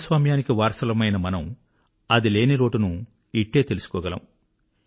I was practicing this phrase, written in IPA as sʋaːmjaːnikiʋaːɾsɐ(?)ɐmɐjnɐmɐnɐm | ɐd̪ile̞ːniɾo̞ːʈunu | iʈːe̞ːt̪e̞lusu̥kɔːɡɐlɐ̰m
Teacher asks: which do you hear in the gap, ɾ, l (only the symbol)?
l